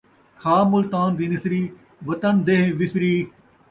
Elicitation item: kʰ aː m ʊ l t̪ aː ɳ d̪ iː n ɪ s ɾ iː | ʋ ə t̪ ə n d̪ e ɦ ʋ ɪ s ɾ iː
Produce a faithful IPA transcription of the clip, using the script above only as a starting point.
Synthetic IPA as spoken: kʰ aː m ʊ l t̪ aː n d̪ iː n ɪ s ɾ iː | ʋ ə t̪ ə n d̪ e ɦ ʋ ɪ s ɾ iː